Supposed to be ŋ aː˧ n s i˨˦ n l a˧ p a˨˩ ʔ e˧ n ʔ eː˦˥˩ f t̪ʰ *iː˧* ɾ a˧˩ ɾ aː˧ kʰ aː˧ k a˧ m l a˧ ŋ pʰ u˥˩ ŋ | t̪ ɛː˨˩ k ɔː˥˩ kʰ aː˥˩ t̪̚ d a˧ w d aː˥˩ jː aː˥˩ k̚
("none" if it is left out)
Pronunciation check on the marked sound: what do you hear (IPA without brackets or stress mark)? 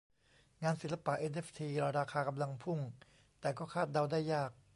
iː˧